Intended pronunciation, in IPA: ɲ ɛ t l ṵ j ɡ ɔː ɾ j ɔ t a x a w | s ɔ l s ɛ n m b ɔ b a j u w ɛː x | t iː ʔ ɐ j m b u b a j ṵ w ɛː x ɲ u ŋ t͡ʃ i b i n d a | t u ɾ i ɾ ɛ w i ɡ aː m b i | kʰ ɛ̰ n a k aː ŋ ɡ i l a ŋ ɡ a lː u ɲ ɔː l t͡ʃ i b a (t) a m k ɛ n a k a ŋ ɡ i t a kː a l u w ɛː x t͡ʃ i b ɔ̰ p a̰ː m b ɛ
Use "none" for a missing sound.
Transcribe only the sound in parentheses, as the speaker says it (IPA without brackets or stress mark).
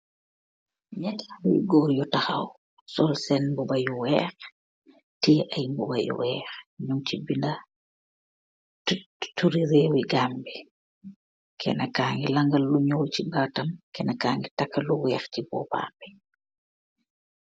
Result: t